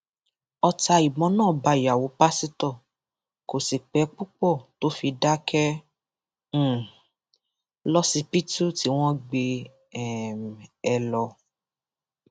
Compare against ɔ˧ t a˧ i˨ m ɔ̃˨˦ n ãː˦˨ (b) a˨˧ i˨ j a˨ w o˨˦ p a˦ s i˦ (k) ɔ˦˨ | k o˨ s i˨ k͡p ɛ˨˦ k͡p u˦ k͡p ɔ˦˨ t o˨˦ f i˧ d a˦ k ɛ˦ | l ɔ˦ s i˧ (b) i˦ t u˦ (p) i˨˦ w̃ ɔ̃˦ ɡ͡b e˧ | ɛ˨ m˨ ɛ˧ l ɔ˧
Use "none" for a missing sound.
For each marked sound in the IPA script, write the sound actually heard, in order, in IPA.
b, t, p, t

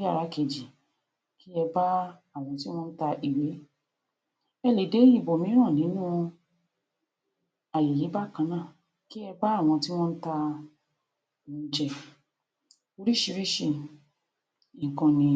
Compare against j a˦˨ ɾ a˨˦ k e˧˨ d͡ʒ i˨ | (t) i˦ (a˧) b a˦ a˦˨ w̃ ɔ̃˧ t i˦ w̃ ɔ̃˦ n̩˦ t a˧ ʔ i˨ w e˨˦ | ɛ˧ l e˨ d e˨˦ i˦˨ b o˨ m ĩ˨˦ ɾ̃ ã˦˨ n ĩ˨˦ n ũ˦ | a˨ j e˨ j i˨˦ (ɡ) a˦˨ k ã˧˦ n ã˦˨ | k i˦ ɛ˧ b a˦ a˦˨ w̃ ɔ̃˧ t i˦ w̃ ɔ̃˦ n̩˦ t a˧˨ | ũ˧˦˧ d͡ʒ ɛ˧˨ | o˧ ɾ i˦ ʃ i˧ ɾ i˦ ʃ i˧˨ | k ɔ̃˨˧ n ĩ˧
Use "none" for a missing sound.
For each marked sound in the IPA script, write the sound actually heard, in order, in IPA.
k, ɛ˧, b

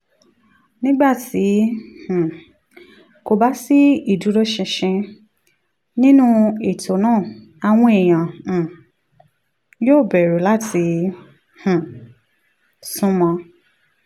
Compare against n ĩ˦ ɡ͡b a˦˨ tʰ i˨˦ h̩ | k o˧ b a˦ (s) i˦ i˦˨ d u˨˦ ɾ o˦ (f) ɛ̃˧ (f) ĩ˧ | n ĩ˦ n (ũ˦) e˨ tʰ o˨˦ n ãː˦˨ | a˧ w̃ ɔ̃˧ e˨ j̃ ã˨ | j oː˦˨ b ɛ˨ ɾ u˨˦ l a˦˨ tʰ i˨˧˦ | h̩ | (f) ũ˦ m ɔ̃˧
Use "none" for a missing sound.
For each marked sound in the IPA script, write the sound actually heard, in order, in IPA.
s, ʃ, ʃ, ũ˦, s

